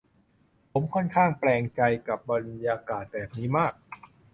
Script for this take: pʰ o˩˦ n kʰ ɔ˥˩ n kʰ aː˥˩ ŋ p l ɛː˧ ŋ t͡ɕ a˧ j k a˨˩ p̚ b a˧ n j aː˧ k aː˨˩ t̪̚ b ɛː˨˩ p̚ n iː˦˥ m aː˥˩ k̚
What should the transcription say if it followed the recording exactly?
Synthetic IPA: pʰ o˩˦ m kʰ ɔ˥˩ n kʰ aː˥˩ ŋ p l ɛː˧ ŋ t͡ɕ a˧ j k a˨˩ p̚ b a˧ n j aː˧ k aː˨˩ t̪̚ b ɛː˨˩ p̚ n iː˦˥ m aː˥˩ k̚